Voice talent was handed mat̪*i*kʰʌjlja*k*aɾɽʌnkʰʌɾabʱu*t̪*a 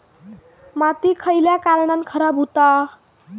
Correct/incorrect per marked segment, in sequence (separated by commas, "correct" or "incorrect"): correct, correct, correct